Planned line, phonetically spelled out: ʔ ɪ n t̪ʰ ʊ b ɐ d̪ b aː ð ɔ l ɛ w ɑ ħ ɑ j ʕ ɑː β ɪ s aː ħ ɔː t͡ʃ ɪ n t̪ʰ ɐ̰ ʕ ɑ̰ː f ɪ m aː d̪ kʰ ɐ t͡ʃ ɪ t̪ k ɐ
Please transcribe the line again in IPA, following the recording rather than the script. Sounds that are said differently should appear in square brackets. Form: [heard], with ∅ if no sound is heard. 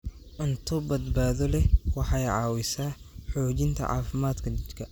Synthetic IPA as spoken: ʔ ɪ n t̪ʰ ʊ b ɐ d̪ b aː ð ɔ l ɛ w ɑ ħ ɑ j ʕ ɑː [w] ɪ s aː ħ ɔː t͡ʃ ɪ n t̪ʰ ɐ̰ ʕ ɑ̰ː f ɪ m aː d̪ kʰ ɐ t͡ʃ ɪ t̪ [kʰ] ɐ